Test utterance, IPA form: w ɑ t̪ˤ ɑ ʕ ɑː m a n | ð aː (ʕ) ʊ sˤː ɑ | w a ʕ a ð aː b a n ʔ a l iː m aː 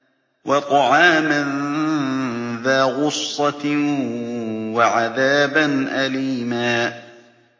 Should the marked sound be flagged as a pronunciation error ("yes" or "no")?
yes